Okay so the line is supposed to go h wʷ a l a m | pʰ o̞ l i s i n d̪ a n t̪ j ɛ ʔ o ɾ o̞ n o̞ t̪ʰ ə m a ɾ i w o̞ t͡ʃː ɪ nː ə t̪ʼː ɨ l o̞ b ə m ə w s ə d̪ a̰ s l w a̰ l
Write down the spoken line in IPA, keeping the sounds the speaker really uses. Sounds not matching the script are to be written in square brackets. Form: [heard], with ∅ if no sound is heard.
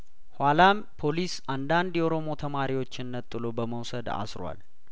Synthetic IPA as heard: h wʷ a l a m | pʰ o̞ l i s [a] n d̪ a n [d̪] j ɛ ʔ o ɾ o̞ [m] o̞ t̪ʰ ə m a ɾ i w o̞ t͡ʃː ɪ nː ə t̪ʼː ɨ l o̞ b ə m ə w s ə d̪ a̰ s [ɾ] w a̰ l